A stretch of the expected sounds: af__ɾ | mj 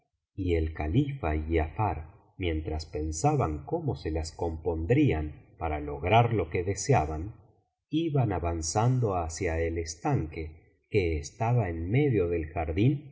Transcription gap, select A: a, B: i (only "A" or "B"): A